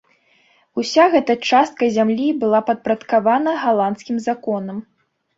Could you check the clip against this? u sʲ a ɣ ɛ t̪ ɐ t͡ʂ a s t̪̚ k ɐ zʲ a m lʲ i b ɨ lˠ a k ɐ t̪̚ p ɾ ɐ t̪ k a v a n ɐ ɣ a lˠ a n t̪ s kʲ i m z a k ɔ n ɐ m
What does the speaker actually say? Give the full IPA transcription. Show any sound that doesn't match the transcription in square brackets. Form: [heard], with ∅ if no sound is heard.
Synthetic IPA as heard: u sʲ a ɣ ɛ t̪ ɐ t͡ʂ a s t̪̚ k ɐ zʲ a m lʲ i b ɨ lˠ a [p] ɐ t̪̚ p ɾ ɐ t̪ k a v a n ɐ ɣ a lˠ a n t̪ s kʲ i m z a k ɔ n ɐ m